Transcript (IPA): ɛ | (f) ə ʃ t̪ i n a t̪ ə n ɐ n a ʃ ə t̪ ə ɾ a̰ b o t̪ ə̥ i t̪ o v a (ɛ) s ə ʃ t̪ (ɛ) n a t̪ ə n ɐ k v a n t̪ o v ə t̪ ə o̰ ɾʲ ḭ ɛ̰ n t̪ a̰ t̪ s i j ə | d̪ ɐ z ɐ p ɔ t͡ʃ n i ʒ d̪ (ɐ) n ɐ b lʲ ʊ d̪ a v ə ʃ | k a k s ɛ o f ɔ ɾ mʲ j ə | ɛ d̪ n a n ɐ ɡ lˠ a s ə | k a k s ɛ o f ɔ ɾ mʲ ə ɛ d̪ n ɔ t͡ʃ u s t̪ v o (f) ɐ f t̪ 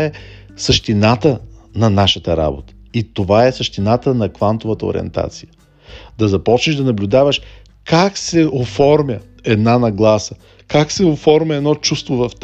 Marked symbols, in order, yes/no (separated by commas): no, yes, no, yes, no